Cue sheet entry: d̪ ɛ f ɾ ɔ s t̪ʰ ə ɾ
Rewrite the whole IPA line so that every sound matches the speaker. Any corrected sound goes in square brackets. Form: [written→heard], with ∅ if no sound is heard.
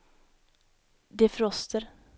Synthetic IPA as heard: d̪ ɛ f ɾ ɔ s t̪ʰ ə ɾ